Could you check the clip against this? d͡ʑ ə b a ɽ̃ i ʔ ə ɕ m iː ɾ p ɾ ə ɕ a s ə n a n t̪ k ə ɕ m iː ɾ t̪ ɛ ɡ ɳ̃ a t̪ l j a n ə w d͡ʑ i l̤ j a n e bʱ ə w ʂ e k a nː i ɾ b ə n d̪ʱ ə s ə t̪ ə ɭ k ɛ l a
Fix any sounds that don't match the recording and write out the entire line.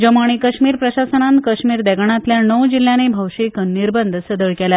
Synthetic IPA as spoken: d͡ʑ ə m a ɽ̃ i k ə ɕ m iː ɾ p ɾ ə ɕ a s ə n a n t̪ k ə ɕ m iː ɾ d̪ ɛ ɡ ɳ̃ a t̪ l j a n ə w d͡ʑ i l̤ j a n e bʱ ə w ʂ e k ə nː i ɾ b ə n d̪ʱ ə s ə d̪ ə ɭ k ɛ l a